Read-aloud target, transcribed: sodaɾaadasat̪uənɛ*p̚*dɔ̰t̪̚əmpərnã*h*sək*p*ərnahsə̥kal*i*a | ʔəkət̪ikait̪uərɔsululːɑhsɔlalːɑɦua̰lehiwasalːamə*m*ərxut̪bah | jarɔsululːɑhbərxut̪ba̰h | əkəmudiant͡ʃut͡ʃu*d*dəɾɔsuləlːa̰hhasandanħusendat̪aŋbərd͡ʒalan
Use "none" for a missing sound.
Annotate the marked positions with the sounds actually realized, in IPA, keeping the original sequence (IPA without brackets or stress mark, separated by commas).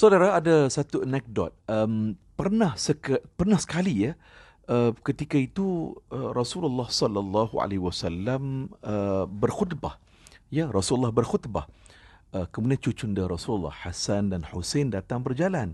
k̚, h, p, i, b, n